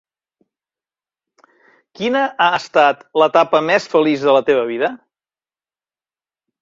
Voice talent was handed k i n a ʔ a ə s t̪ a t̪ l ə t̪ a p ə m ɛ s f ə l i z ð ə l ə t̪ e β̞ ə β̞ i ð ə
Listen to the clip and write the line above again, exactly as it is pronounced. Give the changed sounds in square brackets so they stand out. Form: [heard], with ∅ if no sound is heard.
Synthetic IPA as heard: k i n [ə] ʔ a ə s t̪ a t̪ l ə t̪ a p ə m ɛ s f ə l i z ð ə l ə t̪ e β̞ ə β̞ i ð ə